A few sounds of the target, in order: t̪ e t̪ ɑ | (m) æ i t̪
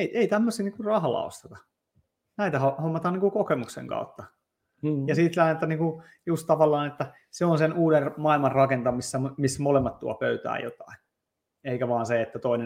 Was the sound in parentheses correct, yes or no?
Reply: no